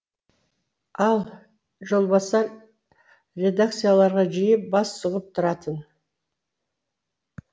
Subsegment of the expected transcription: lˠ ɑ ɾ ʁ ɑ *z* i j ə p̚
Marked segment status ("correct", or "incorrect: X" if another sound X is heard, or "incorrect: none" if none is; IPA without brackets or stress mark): incorrect: ʒ